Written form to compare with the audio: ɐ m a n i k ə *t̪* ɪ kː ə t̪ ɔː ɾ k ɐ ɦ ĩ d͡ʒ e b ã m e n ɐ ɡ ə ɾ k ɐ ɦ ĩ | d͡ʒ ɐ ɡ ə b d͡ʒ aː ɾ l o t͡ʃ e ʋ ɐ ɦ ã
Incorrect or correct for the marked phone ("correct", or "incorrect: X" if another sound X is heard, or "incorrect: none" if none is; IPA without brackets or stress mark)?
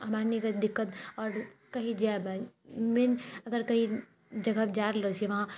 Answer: incorrect: d̪